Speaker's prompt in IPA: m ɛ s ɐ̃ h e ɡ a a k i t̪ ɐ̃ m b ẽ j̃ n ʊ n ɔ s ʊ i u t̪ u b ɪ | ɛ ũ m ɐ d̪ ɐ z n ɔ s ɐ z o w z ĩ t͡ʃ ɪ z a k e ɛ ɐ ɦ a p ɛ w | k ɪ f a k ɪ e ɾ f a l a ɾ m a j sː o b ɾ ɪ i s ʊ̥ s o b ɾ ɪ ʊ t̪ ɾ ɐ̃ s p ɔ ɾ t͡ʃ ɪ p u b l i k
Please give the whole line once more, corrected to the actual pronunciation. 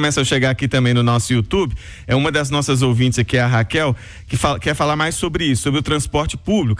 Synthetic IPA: m ɛ s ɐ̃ ʃ e ɡ a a k i t̪ ɐ̃ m b ẽ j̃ n ʊ n ɔ s ʊ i u t̪ u b ɪ | ɛ ũ m ɐ d̪ ɐ z n ɔ s ɐ z o w v ĩ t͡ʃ ɪ z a k i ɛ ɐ ɦ a k ɛ w | k ɪ f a k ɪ ɛ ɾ f a l a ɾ m a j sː o b ɾ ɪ i s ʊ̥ s o b ɾ ɪ ʊ t̪ ɾ ɐ̃ s p ɔ ɾ t͡ʃ ɪ p u b l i k

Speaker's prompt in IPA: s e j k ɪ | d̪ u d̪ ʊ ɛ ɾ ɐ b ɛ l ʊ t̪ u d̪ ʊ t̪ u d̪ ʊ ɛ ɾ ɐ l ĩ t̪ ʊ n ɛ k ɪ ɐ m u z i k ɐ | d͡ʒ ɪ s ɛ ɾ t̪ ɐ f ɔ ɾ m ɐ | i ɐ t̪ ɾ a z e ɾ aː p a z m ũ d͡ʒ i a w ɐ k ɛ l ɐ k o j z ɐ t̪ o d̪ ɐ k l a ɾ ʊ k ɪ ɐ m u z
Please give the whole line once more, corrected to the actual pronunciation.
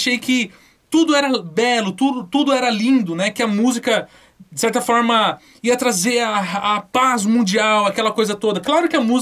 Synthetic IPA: ʃ e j k ɪ | t̪ u d̪ ʊ ɛ ɾ ɐ b ɛ l ʊ t̪ u d̪ ʊ t̪ u d̪ ʊ ɛ ɾ ɐ l ĩ d̪ ʊ n ɛ k ɪ ɐ m u z i k ɐ | d͡ʒ ɪ s ɛ ɾ t̪ ɐ f ɔ ɾ m ɐ | i ɐ t̪ ɾ a z e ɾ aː p a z m ũ d͡ʒ i a w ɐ k ɛ l ɐ k o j z ɐ t̪ o d̪ ɐ k l a ɾ ʊ k ɪ ɐ m u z

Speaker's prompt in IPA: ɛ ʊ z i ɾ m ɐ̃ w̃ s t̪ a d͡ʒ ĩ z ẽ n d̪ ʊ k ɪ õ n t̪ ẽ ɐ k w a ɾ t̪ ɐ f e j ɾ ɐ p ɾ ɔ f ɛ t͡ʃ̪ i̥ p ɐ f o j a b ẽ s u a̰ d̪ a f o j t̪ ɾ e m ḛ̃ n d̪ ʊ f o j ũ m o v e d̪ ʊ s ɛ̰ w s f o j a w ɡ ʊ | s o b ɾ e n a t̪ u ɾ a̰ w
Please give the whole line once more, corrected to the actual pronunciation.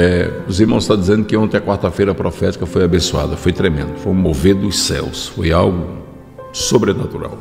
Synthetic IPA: ɛ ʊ z i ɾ m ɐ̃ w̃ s t̪ a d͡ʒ i z ẽ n d̪ ʊ k ɪ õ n t̪ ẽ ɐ k w a ɾ t̪ ɐ f e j ɾ ɐ p ɾ ɔ f ɛ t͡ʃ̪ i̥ k ɐ f o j a b ẽ s u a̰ d̪ ɐ f o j t̪ ɾ e m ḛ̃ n d̪ ʊ f o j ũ m o v e d̪ ʊ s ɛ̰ w s f o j a w ɡ ʊ | s o b ɾ e n a t̪ u ɾ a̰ w

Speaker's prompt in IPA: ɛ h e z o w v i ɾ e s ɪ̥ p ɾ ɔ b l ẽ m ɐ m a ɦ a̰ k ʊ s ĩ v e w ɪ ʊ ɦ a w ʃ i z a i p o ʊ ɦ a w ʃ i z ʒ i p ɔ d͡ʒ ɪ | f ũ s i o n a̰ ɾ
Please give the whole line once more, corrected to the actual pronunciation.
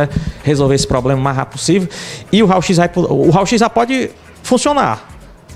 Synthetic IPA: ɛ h e z o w v e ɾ e s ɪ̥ p ɾ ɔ b l ẽ m ɐ m a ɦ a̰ p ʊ s i v e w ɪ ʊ ɦ a w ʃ i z a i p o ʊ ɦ a w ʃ i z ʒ a p ɔ d͡ʒ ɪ | f ũ s i o n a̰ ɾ

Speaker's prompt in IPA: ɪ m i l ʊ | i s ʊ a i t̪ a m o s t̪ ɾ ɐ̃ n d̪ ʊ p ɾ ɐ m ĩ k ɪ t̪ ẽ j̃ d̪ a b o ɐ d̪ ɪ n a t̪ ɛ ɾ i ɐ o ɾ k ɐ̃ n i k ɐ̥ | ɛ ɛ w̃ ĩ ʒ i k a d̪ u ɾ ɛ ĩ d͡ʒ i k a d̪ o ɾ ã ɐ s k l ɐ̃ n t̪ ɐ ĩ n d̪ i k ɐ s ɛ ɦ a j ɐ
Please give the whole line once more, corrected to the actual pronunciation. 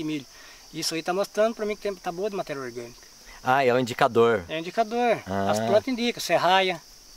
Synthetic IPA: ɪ m i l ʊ | i s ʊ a i t̪ a m o s t̪ ɾ ɐ̃ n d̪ ʊ p ɾ ɐ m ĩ k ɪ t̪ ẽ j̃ t̪ a b o ɐ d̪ ɪ m a t̪ ɛ ɾ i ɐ o ɾ ɡ ɐ̃ n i k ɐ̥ | a ɛ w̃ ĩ d͡ʒ i k a d̪ o ɾ ɛ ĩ d͡ʒ i k a d̪ o ɾ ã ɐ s p l ɐ̃ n t̪ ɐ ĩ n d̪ i k ɐ s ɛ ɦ a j ɐ

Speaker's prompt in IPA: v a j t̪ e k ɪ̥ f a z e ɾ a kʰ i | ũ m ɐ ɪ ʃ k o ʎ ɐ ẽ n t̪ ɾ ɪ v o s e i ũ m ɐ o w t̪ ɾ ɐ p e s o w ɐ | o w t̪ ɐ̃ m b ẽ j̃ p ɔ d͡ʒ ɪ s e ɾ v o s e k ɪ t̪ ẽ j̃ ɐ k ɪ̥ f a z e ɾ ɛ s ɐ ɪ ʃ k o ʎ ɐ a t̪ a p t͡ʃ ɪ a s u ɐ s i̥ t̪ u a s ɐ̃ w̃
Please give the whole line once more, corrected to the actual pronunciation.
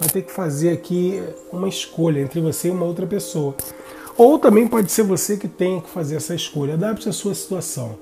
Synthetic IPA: v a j t̪ e k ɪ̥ f a z e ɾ a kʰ i | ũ m ɐ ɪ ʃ k o ʎ ɐ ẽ n t̪ ɾ ɪ v o s e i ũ m ɐ o w t̪ ɾ ɐ p e s o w ɐ | o w t̪ ɐ̃ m b ẽ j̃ p ɔ d͡ʒ ɪ s e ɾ v o s e k ɪ t̪ ẽ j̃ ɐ k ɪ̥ f a z e ɾ ɛ s ɐ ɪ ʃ k o ʎ ɐ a d̪ a p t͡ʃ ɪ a s u ɐ s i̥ t̪ u a s ɐ̃ w̃

